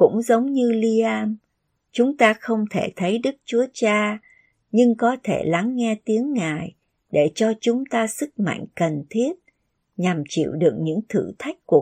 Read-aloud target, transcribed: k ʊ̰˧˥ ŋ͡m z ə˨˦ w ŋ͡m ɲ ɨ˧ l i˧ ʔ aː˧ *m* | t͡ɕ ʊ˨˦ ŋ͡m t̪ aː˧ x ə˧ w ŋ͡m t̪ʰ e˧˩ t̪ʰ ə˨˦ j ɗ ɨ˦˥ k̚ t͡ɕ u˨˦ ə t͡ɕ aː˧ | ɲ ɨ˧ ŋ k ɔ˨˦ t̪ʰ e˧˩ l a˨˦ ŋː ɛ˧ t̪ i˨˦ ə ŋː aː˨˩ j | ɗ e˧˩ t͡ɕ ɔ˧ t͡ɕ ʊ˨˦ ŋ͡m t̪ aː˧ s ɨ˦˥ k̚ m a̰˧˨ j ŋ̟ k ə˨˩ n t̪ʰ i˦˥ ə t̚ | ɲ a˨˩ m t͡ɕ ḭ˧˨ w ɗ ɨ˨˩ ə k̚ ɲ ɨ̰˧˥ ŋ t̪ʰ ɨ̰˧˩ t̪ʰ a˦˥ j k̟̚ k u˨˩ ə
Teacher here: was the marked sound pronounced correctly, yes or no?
yes